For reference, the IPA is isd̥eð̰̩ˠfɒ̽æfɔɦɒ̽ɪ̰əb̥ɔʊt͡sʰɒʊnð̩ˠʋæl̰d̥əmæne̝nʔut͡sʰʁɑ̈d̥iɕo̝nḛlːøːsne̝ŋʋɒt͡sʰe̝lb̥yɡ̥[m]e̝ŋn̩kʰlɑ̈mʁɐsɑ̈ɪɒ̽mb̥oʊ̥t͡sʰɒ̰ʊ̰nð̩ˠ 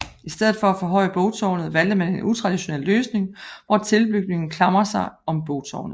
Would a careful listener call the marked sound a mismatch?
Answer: yes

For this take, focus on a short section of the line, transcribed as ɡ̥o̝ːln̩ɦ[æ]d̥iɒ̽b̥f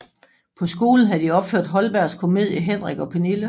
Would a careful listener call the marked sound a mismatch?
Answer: no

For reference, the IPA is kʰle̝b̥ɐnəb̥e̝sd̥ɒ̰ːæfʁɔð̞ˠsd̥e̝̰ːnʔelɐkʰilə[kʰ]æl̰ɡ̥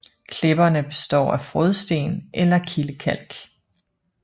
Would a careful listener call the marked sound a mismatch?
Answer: no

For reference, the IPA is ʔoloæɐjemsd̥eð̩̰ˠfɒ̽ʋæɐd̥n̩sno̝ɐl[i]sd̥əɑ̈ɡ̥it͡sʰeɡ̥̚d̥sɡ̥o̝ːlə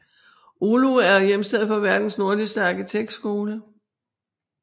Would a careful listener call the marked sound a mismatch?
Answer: no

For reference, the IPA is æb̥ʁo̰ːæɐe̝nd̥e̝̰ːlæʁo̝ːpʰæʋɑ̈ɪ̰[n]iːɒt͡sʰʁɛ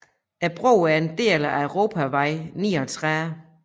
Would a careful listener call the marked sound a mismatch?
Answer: no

